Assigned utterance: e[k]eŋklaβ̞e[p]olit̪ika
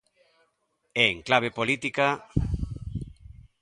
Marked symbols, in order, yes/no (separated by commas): no, yes